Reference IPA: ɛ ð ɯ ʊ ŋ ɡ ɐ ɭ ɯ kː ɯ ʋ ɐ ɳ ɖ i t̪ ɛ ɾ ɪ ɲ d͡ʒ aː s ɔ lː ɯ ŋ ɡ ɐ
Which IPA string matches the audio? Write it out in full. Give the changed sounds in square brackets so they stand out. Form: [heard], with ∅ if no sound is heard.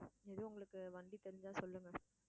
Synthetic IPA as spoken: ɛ ð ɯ ʊ ŋ ɡ ɐ ɭ ɯ kː ɯ ʋ ɐ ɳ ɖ i t̪ ɛ ɾ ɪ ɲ d͡ʒ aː s ɔ lː ɯ ŋ ɡ ɐ